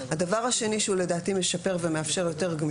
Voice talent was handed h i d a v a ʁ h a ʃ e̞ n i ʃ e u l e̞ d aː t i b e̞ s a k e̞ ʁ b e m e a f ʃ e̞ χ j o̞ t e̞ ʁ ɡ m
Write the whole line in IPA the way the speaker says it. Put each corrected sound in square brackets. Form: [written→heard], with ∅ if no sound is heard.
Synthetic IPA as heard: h [i→a] d a v a ʁ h a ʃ e̞ n i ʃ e u l e̞ d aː t i [b→m] e̞ [s→ʃ] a [k→p] e̞ ʁ [b→v] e m e a f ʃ e̞ [χ→ʁ] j o̞ t e̞ ʁ ɡ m